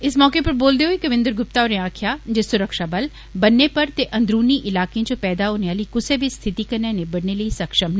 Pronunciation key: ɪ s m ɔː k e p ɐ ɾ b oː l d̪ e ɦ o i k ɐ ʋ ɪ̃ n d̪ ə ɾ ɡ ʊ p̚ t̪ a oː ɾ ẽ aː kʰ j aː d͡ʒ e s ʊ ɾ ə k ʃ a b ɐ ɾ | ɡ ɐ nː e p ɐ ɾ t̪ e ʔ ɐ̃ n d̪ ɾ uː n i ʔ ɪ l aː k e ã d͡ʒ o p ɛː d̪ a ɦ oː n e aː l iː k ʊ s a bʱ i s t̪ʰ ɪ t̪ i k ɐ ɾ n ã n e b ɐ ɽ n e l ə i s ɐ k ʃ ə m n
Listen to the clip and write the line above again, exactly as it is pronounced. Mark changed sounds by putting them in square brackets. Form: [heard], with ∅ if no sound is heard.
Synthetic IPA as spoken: ɪ s m ɔː k e p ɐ ɾ b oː l d̪ e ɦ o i k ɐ ʋ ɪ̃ n d̪ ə ɾ ɡ ʊ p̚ t̪ a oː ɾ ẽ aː kʰ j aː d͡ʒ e s ʊ ɾ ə k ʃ a b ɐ [l] | [b] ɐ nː e p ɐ ɾ t̪ e ʔ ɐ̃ n d̪ ɾ uː n i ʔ ɪ l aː k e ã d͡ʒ o p ɛː d̪ a ɦ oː n e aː l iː k ʊ s [e] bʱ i s t̪ʰ ɪ t̪ i k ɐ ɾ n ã n e b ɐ ɽ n e l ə i s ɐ k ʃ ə m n